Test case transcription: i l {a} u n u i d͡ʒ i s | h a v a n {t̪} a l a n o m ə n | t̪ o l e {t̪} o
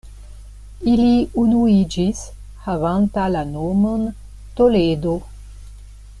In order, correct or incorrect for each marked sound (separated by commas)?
incorrect, correct, incorrect